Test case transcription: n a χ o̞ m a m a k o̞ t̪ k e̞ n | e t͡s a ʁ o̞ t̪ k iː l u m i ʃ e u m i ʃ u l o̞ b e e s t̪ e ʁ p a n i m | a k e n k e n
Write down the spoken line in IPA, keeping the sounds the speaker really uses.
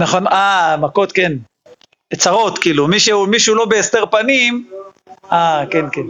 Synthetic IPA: n a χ o̞ n a m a k o̞ t̪ k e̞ n | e t͡s a ʁ o̞ t̪ k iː l u m i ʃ e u m i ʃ u l o̞ b e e s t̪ e ʁ p a n i m | a k e n k e n